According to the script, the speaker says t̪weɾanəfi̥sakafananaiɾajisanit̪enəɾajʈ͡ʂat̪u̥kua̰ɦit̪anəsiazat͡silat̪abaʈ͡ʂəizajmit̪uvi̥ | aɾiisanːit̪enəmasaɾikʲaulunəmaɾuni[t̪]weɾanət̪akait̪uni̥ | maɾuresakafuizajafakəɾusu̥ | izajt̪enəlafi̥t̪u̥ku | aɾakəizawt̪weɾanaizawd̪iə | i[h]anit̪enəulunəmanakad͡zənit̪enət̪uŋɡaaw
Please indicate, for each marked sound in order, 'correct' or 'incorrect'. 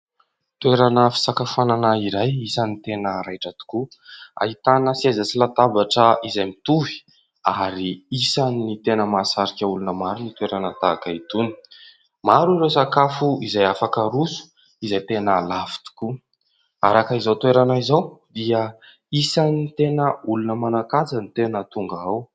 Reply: correct, incorrect: s

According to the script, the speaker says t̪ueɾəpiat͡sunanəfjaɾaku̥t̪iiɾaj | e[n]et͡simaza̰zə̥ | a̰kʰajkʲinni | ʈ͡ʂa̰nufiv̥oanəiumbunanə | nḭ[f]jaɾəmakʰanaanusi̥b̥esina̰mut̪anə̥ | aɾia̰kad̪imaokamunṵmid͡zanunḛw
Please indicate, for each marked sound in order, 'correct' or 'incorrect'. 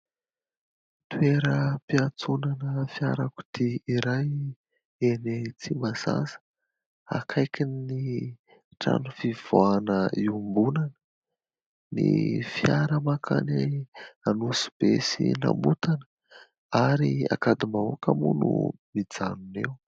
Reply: correct, correct

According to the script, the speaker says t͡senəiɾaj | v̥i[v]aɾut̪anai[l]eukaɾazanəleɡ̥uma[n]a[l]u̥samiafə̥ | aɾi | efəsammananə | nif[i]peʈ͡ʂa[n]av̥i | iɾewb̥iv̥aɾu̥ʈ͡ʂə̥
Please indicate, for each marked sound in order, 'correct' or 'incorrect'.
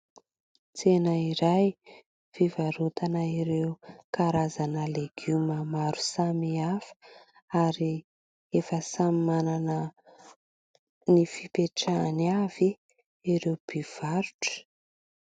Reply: correct, incorrect: ɾ, incorrect: m, incorrect: ɾ, correct, correct

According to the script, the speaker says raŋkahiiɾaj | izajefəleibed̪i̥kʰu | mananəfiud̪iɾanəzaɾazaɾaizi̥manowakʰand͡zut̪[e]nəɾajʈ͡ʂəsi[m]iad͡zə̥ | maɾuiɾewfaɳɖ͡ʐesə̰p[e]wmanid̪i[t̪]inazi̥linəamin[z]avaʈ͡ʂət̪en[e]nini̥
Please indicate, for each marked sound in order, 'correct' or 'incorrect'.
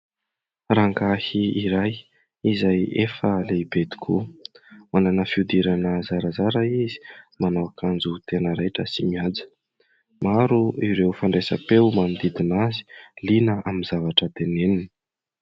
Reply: correct, correct, correct, incorrect: d̪, correct, correct

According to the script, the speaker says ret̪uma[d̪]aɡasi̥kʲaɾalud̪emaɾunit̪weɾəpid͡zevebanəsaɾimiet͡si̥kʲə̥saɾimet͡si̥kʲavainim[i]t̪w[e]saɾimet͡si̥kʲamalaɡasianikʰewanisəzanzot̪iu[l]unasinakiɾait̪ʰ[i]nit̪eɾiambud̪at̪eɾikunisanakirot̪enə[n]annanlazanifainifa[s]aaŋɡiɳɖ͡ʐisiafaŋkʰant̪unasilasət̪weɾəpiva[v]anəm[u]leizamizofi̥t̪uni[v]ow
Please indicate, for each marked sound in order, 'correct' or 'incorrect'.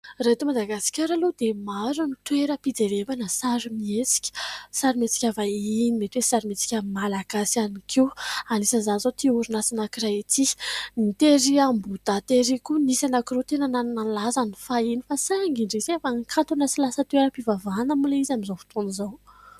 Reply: correct, incorrect: e, correct, incorrect: ɾ, correct, correct, correct, correct, correct, incorrect: z

